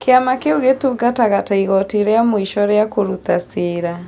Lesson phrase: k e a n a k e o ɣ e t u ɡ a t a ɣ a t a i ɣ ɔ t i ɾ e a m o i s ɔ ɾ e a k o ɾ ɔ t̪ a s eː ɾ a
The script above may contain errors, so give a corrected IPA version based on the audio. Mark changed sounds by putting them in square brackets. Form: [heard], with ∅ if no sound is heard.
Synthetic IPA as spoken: k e a [m] a k e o ɣ e t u ɡ a t a ɣ a t a i ɣ ɔ t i ɾ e a m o i [ʃ] ɔ ɾ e a k o ɾ [u] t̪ a s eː ɾ a